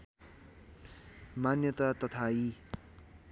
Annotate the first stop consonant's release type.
plain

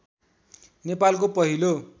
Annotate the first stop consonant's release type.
plain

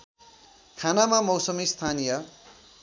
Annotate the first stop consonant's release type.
aspirated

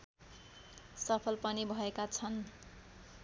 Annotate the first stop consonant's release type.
aspirated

